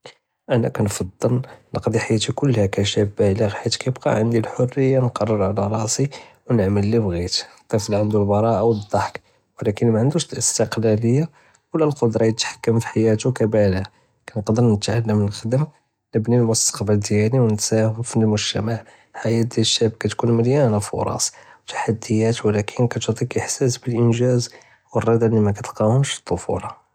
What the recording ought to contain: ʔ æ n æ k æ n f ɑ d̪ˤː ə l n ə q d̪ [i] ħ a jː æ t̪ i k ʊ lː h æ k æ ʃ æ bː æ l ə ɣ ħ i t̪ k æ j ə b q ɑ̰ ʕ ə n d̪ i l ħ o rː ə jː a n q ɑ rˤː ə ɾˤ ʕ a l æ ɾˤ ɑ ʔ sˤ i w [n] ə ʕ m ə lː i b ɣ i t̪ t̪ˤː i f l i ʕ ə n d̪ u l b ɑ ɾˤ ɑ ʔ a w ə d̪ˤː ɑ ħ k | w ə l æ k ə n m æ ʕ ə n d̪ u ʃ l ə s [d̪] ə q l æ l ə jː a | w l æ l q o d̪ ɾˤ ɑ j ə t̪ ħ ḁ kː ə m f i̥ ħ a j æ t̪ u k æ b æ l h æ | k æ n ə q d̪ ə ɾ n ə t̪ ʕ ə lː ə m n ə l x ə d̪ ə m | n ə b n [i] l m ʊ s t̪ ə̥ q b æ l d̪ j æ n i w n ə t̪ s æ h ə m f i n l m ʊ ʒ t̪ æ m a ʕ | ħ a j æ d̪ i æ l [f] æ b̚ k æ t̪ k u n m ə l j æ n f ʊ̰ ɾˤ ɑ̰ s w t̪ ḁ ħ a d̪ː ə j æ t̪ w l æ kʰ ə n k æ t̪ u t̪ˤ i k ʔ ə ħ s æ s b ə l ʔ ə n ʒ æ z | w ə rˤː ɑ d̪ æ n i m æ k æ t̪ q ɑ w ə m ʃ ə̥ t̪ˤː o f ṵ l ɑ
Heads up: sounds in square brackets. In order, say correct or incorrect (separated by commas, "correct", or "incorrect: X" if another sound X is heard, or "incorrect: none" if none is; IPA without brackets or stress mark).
correct, correct, incorrect: t̪, correct, incorrect: ʃ